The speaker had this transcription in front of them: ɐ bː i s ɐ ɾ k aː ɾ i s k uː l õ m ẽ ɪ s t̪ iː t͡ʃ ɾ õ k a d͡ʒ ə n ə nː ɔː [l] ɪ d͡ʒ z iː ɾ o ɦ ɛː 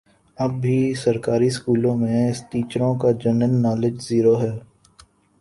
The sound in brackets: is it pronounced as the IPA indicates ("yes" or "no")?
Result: yes